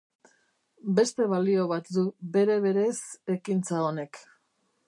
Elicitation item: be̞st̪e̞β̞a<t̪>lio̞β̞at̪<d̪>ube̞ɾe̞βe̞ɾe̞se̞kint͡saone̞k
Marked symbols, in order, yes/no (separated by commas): no, yes